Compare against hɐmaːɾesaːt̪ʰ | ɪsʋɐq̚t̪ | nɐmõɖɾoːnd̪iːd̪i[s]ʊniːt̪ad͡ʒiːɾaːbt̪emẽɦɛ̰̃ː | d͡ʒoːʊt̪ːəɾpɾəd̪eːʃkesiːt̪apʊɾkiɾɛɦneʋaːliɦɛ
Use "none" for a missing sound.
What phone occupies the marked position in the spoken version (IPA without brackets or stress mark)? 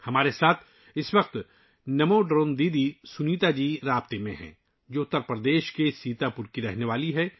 s